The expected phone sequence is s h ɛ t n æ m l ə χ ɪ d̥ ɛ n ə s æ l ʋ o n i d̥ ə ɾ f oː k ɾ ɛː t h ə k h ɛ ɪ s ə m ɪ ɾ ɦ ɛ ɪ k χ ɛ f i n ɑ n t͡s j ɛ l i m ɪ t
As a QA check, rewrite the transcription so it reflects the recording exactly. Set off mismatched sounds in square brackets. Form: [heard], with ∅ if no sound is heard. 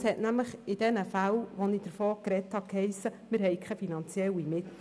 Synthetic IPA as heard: s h ɛ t n æ m l ə χ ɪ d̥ ɛ n ə [f] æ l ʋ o n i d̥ ə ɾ f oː k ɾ [ɛ] t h [ɑ] k h ɛ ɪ s ə m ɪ ɾ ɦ ɛ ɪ k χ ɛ f i n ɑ n t͡s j ɛ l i m ɪ t

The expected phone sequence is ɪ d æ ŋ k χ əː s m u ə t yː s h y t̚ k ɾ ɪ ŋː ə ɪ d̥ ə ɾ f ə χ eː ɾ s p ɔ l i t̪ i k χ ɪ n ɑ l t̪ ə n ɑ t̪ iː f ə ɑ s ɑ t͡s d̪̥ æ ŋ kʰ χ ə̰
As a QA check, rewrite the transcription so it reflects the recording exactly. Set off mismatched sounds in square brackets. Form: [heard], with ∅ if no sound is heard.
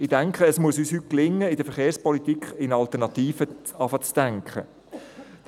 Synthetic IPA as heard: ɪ d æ ŋ k χ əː s m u ə [s] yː s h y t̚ k [l] ɪ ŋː ə ɪ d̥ ə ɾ f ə χ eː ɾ s p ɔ l i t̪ i k χ ɪ n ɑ l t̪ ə n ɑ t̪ iː f ə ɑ [f] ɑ t͡s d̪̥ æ ŋ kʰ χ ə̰

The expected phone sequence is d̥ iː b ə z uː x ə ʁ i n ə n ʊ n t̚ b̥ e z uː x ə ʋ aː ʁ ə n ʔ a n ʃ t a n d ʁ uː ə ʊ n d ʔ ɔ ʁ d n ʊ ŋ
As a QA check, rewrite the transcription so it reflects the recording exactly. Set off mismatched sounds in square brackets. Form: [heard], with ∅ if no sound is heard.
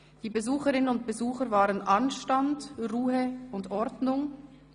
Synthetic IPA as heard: d̥ iː b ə z uː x ə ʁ [ɪ] n ə n ʊ n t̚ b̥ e z uː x ə [v] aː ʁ ə n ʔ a n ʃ t a n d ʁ uː ə ʊ n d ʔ ɔ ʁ d n ʊ ŋ

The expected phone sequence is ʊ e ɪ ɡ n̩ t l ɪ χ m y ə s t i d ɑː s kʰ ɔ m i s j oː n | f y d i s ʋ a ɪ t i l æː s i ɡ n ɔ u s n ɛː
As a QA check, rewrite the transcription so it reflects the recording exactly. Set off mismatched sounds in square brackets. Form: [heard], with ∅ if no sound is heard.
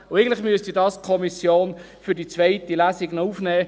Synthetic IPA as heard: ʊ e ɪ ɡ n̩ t l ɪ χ m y ə s t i d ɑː s kʰ ɔ m i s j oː n | f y d i [t͡s] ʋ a ɪ t i l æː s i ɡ n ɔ u [f] n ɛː

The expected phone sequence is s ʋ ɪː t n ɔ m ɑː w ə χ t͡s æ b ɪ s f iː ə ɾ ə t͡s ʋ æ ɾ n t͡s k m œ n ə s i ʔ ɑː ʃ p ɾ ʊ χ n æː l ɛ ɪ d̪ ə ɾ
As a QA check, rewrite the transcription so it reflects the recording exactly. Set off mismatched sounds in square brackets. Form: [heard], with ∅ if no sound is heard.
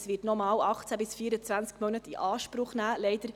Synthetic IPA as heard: s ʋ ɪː t n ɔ m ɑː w [ɑ] χ t͡s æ b ɪ s f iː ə ɾ ə t͡s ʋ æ [∅] n t͡s k m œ n ə [t] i ʔ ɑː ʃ p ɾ ʊ χ n æː l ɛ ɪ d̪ ə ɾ

